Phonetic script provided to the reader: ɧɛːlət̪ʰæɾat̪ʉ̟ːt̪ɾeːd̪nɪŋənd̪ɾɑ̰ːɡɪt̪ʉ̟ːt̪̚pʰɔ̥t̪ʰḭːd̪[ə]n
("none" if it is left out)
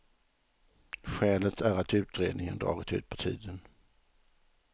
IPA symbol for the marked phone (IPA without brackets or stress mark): ə